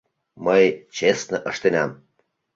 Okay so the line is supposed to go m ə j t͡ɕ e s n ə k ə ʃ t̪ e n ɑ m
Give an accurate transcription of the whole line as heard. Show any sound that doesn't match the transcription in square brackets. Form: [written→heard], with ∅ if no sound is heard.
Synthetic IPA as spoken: m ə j t͡ɕ e s n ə [k→ʔ] ə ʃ t̪ e n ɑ m